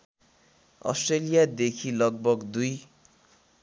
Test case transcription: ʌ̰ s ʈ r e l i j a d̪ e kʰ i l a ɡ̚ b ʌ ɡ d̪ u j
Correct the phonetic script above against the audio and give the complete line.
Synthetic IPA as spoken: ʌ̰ s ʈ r e l i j a d̪ e kʰ i l ʌ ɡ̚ b ʌ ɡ d̪ u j